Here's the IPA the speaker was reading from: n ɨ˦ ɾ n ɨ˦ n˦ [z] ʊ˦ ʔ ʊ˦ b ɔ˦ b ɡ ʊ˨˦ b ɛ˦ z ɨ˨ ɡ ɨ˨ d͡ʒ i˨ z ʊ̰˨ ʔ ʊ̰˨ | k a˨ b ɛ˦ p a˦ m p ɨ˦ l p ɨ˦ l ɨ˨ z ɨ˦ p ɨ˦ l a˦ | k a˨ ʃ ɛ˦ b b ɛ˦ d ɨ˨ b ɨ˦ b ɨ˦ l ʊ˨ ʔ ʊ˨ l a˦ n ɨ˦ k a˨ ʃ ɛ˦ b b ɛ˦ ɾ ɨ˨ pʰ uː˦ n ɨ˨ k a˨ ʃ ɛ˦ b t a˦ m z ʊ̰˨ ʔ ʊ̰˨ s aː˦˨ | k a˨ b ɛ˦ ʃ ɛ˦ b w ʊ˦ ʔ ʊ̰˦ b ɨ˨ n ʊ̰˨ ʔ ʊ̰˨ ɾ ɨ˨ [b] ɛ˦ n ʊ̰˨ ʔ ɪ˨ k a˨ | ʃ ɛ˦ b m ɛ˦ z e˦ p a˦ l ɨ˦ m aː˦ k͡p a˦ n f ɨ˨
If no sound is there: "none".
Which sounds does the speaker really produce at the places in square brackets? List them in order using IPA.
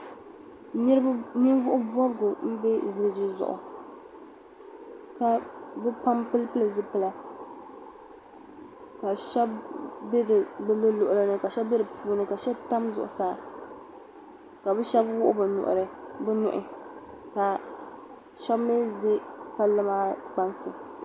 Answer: v, b

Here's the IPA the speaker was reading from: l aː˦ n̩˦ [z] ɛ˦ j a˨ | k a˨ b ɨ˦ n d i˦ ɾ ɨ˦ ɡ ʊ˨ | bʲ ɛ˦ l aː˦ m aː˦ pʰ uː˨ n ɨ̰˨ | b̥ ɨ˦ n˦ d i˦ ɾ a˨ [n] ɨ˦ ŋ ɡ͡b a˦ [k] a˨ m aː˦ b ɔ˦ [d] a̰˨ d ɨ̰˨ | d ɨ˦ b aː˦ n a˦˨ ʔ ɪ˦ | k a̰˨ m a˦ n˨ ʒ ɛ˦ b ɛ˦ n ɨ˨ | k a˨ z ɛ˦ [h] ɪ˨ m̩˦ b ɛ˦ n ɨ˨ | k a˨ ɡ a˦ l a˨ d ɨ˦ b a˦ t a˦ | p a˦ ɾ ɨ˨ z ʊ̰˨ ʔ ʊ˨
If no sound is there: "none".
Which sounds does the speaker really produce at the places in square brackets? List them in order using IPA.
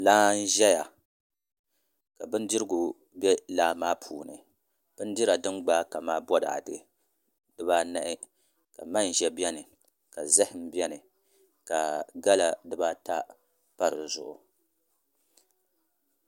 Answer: ʒ, d, k, d, h

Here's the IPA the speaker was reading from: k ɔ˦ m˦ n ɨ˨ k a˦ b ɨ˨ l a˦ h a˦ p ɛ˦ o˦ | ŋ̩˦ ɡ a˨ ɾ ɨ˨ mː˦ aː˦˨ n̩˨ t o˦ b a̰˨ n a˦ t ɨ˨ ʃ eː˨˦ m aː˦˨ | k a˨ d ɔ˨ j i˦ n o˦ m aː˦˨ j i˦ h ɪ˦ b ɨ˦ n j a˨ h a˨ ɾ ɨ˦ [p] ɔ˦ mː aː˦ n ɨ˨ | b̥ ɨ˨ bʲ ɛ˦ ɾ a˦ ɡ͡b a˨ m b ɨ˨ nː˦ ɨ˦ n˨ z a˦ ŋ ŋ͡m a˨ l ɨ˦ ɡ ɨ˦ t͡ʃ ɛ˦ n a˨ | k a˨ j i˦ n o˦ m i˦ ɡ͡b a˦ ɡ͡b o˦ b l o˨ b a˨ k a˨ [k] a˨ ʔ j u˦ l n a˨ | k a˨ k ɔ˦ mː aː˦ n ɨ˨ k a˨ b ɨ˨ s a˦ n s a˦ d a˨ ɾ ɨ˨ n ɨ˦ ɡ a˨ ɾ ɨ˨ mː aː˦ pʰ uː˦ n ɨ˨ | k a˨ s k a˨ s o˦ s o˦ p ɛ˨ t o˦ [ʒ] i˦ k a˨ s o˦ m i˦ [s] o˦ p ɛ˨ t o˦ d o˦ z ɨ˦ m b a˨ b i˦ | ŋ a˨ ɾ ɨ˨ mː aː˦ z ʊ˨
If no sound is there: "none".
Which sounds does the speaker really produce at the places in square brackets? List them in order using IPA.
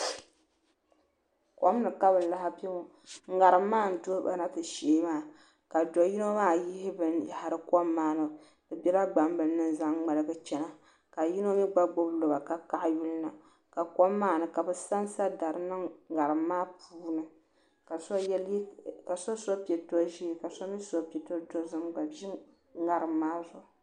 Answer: k, k, ʒ, s

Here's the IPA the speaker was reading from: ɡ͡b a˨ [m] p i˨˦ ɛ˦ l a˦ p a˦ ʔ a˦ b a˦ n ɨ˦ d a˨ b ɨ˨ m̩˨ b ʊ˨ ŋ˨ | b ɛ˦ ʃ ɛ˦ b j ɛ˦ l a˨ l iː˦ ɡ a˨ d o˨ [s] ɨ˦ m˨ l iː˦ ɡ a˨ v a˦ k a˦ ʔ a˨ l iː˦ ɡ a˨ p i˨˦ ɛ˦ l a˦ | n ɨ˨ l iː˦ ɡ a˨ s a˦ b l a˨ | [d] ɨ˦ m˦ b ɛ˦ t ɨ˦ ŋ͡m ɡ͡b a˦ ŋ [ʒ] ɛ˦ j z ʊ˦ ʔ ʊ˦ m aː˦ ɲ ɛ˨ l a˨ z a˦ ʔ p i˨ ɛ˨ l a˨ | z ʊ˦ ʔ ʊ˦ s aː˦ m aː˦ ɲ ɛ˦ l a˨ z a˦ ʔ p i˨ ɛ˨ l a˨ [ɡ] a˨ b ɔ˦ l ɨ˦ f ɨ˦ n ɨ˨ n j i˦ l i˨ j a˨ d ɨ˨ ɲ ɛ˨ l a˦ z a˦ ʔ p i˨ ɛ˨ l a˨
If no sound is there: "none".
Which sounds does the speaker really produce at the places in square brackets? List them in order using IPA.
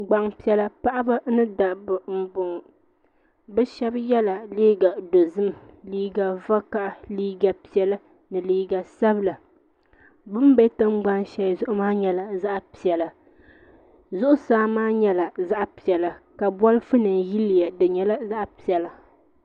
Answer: ŋ, z, b, ʃ, k

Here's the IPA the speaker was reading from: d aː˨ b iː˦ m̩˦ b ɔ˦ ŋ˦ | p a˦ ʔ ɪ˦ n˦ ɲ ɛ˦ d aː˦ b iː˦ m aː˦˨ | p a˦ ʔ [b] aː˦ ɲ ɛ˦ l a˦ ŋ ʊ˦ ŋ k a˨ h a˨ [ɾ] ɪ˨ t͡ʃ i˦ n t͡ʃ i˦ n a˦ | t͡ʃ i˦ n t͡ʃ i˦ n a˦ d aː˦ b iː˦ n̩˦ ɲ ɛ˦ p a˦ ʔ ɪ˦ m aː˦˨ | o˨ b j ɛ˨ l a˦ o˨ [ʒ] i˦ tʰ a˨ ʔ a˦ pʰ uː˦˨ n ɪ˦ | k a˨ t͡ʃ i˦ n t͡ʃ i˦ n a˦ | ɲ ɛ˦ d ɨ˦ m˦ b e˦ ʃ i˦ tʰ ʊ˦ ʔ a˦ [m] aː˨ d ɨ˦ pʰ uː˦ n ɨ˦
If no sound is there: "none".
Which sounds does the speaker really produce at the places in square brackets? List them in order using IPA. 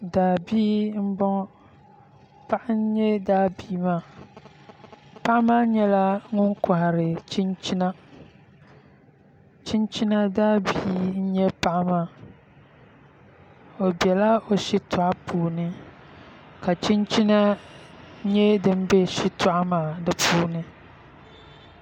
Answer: m, ɾ, ʃ, m

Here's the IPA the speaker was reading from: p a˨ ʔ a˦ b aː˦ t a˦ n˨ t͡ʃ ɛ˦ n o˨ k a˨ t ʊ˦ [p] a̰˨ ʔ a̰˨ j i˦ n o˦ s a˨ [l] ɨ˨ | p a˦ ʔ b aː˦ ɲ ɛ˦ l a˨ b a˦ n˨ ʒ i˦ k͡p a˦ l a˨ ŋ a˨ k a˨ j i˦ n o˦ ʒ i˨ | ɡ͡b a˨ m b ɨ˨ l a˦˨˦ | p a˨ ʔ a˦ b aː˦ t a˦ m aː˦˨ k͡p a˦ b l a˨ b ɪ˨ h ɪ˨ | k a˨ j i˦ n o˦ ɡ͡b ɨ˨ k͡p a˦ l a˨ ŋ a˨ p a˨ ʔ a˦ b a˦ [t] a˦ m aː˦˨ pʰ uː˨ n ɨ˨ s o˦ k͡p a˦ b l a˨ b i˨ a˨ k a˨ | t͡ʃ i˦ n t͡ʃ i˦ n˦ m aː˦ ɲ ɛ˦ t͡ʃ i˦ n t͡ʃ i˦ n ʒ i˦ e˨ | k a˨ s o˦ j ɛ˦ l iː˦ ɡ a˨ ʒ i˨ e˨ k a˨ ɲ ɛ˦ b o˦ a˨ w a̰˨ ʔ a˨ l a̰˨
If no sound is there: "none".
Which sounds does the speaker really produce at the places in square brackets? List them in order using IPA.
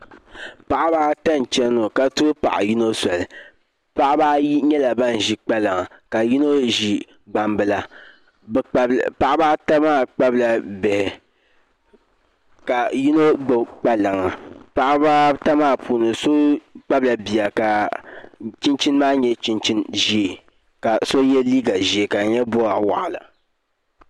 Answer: p, l, t

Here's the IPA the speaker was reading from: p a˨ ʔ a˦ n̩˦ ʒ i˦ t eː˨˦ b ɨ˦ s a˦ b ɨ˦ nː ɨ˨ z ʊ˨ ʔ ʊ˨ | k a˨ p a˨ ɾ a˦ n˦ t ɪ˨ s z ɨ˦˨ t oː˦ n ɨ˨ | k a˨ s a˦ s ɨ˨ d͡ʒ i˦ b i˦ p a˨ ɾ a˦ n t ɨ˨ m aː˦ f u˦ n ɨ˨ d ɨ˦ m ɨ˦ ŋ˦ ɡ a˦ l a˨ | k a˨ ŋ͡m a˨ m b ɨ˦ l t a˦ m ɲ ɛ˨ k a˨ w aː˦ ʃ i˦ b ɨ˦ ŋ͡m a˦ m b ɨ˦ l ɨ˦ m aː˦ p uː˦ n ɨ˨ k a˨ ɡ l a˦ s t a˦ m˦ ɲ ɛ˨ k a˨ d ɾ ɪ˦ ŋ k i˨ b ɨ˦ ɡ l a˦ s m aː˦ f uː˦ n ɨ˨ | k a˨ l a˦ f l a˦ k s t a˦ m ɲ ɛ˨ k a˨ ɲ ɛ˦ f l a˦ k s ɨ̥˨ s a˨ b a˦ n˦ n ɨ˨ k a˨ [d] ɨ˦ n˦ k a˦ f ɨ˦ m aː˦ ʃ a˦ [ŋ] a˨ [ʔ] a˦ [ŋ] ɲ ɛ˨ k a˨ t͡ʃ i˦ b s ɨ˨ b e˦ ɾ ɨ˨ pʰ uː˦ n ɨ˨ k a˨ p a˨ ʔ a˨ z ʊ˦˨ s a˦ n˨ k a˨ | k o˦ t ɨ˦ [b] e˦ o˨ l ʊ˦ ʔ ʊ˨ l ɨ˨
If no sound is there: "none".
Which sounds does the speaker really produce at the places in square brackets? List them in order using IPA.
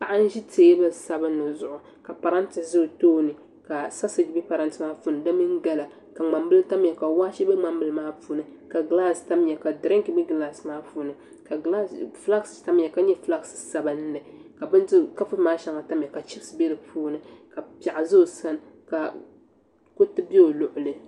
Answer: b, ŋ, t, m, b

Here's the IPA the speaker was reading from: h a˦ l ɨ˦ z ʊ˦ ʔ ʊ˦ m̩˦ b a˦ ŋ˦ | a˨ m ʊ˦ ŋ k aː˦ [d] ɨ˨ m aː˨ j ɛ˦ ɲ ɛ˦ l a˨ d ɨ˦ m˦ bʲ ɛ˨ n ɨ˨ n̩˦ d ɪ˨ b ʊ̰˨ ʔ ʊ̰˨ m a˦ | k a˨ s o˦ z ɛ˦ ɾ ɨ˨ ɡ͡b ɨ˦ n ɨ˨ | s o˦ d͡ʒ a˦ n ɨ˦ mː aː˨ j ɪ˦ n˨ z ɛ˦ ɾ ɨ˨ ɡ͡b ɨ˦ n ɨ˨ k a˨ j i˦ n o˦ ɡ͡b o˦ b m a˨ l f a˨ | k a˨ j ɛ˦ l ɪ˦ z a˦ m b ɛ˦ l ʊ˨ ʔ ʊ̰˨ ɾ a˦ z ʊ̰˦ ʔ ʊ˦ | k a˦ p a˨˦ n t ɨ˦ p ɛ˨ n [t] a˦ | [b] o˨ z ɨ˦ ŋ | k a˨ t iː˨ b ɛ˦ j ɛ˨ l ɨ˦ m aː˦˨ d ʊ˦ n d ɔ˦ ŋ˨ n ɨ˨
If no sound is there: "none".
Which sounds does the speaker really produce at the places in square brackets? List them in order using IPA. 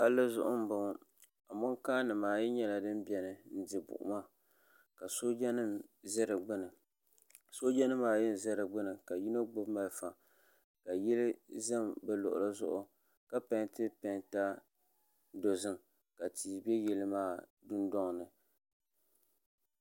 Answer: n, t, d

